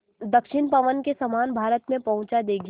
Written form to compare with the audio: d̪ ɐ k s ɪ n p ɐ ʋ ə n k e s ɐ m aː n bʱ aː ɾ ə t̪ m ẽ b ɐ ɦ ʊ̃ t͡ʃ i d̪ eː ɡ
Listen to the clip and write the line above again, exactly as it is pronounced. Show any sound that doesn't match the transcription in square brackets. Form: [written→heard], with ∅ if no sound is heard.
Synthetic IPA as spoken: d̪ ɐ k [s→ʃ] ɪ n p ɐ ʋ ə n k e s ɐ m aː n bʱ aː ɾ ə t̪ m ẽ [b→p] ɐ ɦ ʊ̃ t͡ʃ [i→a] d̪ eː ɡ